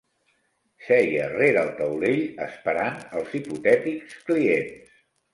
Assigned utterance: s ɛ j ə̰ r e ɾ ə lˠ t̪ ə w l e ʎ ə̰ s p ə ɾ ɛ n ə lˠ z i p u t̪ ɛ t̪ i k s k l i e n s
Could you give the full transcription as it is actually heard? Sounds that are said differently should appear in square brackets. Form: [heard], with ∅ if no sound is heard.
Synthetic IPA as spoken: s ɛ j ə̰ r e ɾ ə lˠ t̪ ə w l e ʎ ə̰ s p ə ɾ [a] n ə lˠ z i p u t̪ ɛ t̪ i k s k l i e n s